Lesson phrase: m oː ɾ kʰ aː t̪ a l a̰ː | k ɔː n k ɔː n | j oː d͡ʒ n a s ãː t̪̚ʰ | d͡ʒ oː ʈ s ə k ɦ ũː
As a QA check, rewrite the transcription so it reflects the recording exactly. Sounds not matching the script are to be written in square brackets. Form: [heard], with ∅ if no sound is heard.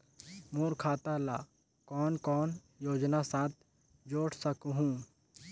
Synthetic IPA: m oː ɾ kʰ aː t̪ a l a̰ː | k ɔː n k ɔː n | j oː d͡ʒ n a s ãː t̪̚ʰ | d͡ʒ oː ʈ s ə k ɦ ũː